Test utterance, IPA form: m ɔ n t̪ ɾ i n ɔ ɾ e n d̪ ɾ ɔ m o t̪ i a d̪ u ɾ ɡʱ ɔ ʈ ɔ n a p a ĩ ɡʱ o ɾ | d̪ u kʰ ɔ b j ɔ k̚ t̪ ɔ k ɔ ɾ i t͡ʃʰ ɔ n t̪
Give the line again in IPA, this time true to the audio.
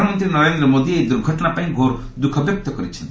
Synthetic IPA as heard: m ɔ n t̪ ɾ i n ɔ ɾ e n d̪ ɾ ɔ m o d̪ i e d̪ u ɾ ɡʱ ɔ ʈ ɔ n a p a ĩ ɡʱ o ɾ | d̪ u kʰ ɔ b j ɔ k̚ t̪ ɔ k ɔ ɾ i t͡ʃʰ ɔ n t̪

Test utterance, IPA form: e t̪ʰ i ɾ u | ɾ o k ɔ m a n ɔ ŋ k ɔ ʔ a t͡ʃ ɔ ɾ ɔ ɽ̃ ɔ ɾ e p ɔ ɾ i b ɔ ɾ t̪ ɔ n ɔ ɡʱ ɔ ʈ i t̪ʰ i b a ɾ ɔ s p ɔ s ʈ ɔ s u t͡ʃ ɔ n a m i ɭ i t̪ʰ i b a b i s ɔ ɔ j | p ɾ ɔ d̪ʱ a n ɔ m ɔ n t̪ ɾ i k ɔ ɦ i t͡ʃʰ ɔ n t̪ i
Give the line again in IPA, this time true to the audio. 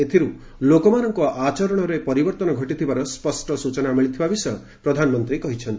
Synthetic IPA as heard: e t̪ʰ i ɾ u | l o k ɔ m a n ɔ ŋ k ɔ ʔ a t͡ʃ ɔ ɾ ɔ ɽ̃ ɔ ɾ e p ɔ ɾ i b ɔ ɾ t̪ ɔ n ɔ ɡʱ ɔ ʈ i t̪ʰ i b a ɾ ɔ s p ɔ s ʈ ɔ s u t͡ʃ ɔ n a m i ɭ i t̪ʰ i b a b i s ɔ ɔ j | p ɾ ɔ d̪ʱ a n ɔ m ɔ n t̪ ɾ i k ɔ ɦ i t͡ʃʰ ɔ n t̪ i

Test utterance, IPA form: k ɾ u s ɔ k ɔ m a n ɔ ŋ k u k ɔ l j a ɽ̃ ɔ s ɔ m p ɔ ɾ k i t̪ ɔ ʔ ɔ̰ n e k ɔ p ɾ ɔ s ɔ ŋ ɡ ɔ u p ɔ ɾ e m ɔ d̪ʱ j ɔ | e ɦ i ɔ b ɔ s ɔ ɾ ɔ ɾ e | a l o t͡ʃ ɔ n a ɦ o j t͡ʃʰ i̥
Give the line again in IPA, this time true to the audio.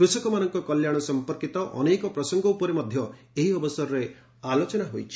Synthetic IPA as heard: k ɾ u s ɔ k ɔ m a n ɔ ŋ k ɔ k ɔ l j a ɽ̃ ɔ s ɔ m p ɔ ɾ k i t̪ ɔ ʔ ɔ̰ n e k ɔ p ɾ ɔ s ɔ ŋ ɡ ɔ u p ɔ ɾ e m ɔ d̪ʱ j ɔ | e ɦ i ɔ b ɔ s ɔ ɾ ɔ ɾ e | a l o t͡ʃ ɔ n a ɦ o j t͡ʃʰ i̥

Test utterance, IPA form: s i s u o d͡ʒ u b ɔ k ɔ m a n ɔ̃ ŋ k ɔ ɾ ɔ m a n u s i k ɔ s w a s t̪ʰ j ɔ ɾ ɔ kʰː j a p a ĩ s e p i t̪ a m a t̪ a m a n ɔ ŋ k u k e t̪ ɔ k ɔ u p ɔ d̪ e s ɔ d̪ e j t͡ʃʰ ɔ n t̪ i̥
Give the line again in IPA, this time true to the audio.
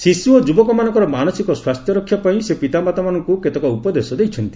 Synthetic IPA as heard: s i s u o d͡ʒ u b ɔ k ɔ m a n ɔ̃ ŋ k ɔ ɾ ɔ m a n ɔ s i k ɔ s w a s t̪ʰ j ɔ ɾ ɔ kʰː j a p a ĩ s e p i t̪ a m a t̪ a m a n ɔ ŋ k u k e t̪ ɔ k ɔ u p ɔ d̪ e s ɔ d̪ e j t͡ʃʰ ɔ n t̪ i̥

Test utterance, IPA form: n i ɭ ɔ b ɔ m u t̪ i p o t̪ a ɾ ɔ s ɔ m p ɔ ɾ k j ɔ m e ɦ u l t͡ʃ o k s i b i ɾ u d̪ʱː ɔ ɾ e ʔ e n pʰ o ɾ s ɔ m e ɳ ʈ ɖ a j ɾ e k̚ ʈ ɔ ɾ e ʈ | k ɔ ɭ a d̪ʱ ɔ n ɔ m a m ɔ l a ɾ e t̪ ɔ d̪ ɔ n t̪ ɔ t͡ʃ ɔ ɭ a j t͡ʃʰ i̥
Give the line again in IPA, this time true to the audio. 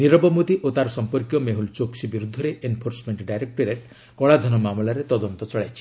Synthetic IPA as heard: n i ɾ ɔ b ɔ m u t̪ i ʔ o t̪ a ɾ ɔ s ɔ m p ɔ ɾ k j ɔ m e ɦ u l t͡ʃ o k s i b i ɾ u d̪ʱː ɔ ɾ e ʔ e n pʰ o ɾ s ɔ m e ɳ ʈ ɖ a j ɾ e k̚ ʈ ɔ ɾ e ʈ | k ɔ ɭ a d̪ʱ ɔ n ɔ m a m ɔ l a ɾ e t̪ ɔ d̪ ɔ n t̪ ɔ t͡ʃ ɔ ɭ a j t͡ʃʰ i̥

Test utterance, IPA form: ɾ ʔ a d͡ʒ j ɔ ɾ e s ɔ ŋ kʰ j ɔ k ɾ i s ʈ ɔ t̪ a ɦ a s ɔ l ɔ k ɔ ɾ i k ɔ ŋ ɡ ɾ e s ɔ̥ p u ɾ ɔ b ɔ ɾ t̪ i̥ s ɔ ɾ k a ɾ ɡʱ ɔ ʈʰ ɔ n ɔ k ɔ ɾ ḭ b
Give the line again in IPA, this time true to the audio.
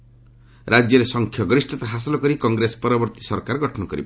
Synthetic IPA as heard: ɾ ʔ a d͡ʒ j ɔ ɾ e s ɔ ŋ kʰ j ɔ ɡ ɾ i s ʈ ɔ t̪ a ɦ a s ɔ l ɔ k ɔ ɾ i k ɔ ŋ ɡ ɾ e s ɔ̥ p ɔ ɾ ɔ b ɔ ɾ t̪ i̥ s ɔ ɾ k a ɾ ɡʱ ɔ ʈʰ ɔ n ɔ k ɔ ɾ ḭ b

